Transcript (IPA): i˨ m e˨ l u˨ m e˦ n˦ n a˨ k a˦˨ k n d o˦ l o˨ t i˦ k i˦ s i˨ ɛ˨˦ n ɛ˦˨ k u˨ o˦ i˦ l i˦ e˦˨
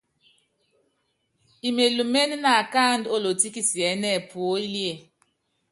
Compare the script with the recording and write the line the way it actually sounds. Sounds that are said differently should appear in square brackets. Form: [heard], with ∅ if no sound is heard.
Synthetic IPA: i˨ m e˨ l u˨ m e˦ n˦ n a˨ k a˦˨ [∅] n d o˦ l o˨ t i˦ k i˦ s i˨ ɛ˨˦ n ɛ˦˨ [p] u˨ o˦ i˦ l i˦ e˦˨